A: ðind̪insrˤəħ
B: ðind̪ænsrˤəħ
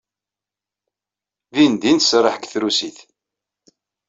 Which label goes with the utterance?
A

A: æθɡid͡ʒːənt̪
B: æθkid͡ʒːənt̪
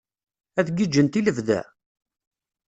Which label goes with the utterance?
A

